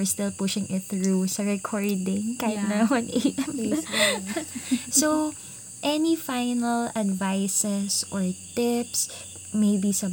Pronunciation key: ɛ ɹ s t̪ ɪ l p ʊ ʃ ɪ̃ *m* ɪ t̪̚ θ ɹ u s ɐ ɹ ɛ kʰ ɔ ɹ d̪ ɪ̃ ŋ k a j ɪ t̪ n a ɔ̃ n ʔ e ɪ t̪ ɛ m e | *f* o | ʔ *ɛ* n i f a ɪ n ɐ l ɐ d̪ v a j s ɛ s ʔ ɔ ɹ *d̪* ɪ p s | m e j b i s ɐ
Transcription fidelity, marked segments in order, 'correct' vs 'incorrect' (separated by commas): incorrect, incorrect, correct, incorrect